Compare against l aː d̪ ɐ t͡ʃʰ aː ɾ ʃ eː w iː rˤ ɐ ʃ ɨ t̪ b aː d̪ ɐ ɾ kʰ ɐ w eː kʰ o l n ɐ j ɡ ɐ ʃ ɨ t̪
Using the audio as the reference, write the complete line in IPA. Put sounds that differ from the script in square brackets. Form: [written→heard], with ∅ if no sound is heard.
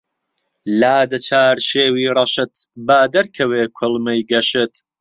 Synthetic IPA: l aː d̪ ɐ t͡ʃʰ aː ɾ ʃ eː w iː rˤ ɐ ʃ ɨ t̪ b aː d̪ ɐ ɾ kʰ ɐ w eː kʰ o l [n→m] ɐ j ɡ ɐ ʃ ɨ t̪

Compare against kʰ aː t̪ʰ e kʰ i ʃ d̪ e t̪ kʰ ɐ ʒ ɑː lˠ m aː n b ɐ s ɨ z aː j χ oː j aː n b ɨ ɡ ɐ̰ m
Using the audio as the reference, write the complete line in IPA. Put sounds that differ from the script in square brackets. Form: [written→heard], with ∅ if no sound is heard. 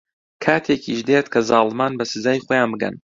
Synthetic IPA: kʰ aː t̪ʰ e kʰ i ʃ d̪ e t̪ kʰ ɐ [ʒ→z] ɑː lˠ m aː n b ɐ s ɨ z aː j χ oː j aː n b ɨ ɡ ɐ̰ [m→n]

